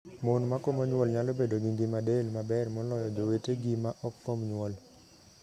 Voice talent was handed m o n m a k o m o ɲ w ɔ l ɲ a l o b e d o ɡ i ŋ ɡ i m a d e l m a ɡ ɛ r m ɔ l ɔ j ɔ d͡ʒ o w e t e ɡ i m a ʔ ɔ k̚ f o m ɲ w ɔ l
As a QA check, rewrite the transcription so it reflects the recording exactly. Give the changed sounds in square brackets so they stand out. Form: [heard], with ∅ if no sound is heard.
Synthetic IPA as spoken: m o n m a k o m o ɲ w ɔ l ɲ a l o b e d o ɡ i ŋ ɡ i m a d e l m a [b] ɛ r m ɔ l ɔ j ɔ d͡ʒ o w e t e ɡ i m a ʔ ɔ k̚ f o m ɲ w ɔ l